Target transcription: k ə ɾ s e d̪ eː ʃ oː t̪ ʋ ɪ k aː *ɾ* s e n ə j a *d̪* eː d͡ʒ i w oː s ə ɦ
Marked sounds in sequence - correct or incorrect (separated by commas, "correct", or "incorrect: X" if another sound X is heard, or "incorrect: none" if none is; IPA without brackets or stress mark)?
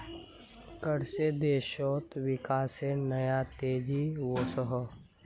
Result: incorrect: none, incorrect: t̪